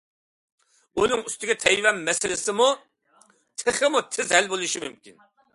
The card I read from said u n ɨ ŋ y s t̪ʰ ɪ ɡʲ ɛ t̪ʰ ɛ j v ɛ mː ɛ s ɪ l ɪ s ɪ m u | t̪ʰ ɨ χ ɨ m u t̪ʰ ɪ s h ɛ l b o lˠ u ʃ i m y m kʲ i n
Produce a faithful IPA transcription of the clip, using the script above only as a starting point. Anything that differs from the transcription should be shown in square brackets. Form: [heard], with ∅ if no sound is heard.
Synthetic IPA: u n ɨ ŋ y s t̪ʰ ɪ ɡʲ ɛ t̪ʰ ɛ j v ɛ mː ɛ s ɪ l ɪ s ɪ m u | t̪ʰ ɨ χ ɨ m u t̪ʰ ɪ [z] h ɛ l b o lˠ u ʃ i m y m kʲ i n